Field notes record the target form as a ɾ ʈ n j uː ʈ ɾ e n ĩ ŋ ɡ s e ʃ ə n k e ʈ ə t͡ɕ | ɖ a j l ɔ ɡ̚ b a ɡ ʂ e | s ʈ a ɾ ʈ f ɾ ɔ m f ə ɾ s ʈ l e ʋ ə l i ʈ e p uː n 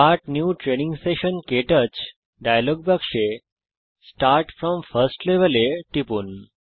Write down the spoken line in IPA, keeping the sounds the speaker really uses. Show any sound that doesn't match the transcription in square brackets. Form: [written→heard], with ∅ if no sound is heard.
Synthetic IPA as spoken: a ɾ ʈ n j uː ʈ ɾ e n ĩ ŋ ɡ s e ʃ ə n k e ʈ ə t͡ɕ | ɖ a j l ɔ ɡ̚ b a [ɡ→k] ʂ e | s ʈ a ɾ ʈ f ɾ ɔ m f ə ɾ s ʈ l e ʋ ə l [i→e] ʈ [e→i] p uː n